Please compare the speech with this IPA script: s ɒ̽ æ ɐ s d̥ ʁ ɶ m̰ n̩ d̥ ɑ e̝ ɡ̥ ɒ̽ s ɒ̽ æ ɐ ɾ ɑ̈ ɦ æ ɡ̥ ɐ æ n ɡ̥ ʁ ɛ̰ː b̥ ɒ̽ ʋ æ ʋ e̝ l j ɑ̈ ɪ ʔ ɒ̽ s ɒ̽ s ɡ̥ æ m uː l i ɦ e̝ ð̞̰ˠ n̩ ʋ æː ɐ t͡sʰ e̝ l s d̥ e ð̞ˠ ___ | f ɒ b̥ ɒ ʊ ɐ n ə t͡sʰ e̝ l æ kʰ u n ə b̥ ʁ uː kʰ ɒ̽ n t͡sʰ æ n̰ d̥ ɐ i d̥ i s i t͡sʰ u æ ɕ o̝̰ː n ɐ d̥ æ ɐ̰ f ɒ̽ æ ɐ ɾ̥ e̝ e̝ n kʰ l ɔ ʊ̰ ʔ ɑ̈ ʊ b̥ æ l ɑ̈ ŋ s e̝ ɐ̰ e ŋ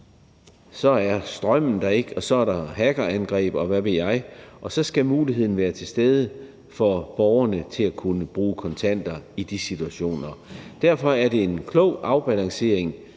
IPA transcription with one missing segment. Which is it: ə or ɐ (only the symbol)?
ə